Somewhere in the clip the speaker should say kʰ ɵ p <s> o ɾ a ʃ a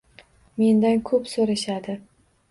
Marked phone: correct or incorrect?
correct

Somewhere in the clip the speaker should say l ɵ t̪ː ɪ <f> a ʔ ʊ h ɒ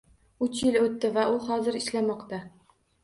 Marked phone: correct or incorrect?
incorrect: v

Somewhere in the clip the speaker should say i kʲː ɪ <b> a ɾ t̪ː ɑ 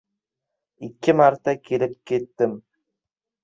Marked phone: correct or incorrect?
incorrect: m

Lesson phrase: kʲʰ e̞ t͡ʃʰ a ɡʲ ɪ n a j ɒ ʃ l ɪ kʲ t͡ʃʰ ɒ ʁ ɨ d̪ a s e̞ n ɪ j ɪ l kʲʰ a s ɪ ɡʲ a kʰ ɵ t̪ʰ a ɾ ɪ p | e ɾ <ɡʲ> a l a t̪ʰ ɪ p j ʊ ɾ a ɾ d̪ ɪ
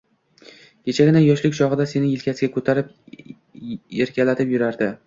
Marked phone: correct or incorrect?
incorrect: kʲ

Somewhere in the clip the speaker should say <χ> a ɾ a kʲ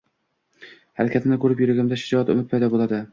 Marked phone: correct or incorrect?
incorrect: h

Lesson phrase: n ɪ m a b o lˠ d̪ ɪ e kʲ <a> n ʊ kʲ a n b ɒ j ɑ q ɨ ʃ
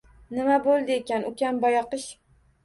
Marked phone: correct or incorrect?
correct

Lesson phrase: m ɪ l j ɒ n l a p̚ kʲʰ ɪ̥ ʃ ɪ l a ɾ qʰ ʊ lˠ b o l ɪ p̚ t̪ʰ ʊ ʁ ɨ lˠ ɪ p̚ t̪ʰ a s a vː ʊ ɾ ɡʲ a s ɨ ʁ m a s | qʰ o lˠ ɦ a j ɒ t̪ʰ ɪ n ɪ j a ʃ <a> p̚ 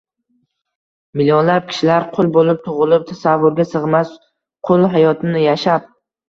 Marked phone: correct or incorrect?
correct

